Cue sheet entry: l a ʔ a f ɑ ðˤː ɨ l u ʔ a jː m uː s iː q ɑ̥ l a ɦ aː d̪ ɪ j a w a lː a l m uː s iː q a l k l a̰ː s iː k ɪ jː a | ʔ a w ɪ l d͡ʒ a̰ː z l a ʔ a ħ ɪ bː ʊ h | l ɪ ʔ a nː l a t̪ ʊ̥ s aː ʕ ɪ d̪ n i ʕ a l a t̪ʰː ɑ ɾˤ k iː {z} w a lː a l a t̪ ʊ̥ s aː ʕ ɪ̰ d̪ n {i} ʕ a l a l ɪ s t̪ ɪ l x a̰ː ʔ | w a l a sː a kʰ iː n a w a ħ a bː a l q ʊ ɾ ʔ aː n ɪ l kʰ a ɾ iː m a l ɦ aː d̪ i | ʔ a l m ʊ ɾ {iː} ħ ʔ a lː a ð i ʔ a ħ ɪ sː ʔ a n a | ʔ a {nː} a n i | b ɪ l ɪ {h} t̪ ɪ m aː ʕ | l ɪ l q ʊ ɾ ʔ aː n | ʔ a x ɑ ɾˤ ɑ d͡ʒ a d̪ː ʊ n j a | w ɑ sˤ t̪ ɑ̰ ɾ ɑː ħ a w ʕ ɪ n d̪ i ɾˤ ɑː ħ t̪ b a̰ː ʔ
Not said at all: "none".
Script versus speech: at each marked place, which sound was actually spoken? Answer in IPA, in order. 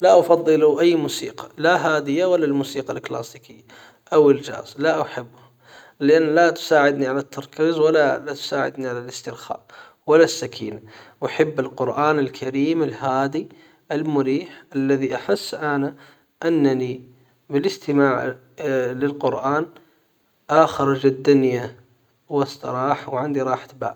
z, i, iː, nː, s

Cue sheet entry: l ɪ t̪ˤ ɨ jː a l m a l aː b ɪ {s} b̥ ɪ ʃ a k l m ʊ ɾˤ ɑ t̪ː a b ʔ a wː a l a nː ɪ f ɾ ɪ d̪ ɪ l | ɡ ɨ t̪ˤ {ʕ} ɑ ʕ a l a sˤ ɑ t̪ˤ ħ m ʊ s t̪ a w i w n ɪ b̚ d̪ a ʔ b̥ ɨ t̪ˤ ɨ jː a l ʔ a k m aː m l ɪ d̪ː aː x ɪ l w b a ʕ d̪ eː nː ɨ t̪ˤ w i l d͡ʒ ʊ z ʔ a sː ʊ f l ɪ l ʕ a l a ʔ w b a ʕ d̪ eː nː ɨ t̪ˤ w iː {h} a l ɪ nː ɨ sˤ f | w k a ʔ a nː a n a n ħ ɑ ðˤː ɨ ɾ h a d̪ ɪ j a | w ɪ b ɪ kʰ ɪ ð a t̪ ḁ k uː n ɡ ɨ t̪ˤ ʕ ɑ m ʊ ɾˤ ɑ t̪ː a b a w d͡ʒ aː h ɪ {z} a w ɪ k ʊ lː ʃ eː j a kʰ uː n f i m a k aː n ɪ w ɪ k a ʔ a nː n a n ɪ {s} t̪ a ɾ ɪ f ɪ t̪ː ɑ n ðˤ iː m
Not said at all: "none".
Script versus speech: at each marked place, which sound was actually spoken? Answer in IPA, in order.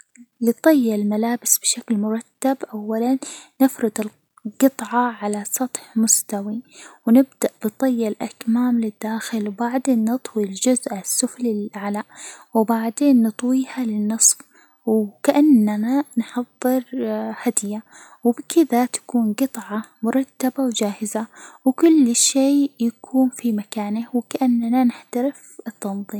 s, ʕ, h, z, ħ

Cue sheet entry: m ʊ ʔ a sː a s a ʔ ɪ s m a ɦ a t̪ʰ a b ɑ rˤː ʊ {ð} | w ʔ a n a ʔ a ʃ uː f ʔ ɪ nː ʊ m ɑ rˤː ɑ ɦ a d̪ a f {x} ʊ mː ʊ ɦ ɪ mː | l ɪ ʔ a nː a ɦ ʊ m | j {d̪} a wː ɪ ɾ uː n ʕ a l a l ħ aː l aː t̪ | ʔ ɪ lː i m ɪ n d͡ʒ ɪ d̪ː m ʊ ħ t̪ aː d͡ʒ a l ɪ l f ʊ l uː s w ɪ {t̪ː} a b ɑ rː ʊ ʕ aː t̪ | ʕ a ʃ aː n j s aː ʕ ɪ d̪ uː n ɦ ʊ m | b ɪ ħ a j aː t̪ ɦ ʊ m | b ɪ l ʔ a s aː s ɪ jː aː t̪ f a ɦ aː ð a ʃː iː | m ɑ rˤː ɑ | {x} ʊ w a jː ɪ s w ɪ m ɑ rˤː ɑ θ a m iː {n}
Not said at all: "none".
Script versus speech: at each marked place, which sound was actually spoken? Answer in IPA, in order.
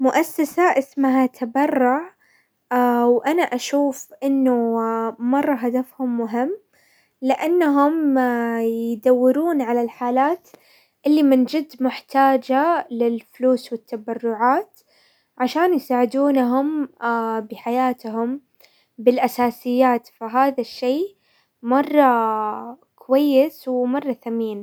ʕ, h, d̪, t̪ː, k, n

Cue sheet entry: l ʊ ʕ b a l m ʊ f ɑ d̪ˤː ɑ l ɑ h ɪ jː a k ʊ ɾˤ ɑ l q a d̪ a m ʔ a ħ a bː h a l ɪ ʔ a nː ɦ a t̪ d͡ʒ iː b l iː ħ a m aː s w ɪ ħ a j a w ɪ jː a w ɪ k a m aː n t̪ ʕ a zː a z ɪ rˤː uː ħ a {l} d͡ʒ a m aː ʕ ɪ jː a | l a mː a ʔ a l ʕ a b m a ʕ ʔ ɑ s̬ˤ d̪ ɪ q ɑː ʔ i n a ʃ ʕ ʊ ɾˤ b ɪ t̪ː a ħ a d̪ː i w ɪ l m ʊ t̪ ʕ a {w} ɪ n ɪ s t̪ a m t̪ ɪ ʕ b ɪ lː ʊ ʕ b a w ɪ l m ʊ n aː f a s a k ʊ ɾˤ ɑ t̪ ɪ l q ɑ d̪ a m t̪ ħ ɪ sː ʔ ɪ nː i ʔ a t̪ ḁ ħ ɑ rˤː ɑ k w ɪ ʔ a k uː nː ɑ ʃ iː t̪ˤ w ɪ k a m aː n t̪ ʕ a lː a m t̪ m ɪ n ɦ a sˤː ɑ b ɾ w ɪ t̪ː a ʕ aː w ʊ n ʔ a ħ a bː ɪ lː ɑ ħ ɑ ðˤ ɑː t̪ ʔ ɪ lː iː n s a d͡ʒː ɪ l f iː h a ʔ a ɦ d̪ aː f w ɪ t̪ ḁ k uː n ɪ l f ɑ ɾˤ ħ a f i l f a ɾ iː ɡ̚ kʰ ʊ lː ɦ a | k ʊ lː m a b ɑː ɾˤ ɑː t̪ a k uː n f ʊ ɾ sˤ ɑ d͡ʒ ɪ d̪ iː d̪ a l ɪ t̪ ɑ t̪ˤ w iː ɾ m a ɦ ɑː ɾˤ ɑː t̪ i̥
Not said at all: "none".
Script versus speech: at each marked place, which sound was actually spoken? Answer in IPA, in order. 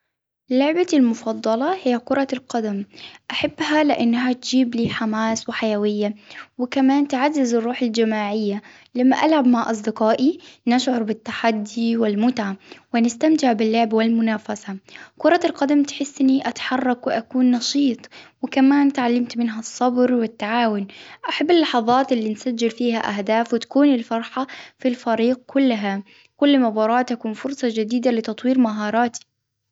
l, w

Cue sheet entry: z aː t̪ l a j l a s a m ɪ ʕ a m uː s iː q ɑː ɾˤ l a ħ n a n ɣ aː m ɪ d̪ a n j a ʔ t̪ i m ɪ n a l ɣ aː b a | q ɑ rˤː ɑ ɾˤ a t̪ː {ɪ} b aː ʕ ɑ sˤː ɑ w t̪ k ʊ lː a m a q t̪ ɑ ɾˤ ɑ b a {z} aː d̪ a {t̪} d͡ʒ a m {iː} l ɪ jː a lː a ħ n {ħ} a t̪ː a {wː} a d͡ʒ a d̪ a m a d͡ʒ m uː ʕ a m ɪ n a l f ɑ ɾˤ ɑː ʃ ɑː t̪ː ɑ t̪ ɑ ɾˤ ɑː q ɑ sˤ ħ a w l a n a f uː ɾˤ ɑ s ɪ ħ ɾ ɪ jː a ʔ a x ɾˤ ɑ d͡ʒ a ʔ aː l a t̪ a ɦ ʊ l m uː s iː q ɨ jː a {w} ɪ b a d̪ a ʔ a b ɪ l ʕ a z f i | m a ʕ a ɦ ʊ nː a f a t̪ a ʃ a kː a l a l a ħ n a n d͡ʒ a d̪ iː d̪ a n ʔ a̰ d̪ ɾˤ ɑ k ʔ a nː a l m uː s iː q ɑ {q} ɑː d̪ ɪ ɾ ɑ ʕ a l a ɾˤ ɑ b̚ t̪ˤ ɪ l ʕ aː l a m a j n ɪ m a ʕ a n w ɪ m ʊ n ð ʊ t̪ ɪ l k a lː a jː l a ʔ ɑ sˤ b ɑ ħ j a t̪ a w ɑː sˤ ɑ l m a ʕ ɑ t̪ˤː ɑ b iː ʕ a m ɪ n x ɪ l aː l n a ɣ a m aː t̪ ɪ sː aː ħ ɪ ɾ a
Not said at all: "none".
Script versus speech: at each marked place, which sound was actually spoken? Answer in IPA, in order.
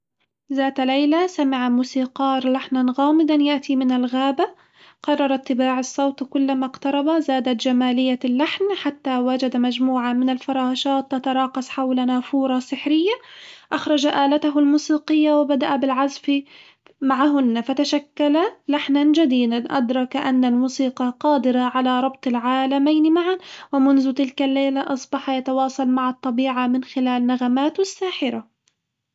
ɪ, z, t̪, aː, ħ, w, w, q

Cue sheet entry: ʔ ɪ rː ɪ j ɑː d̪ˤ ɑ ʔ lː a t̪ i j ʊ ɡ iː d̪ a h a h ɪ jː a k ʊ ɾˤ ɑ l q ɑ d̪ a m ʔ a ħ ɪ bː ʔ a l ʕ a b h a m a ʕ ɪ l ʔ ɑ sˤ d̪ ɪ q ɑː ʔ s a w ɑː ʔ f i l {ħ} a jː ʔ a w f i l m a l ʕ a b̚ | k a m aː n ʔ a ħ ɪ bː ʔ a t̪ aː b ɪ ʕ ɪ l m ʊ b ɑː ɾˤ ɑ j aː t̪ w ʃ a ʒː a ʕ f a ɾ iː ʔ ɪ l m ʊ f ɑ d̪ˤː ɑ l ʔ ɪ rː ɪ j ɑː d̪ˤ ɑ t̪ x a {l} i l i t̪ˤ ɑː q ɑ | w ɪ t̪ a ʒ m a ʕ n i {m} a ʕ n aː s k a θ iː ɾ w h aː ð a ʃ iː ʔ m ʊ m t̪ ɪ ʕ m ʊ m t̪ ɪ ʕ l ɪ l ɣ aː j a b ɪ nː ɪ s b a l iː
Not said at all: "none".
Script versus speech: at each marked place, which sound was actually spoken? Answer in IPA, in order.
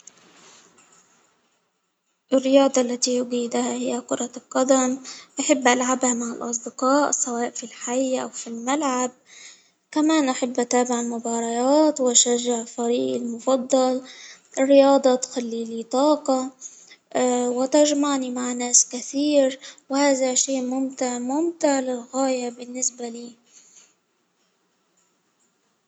ħ, lː, m

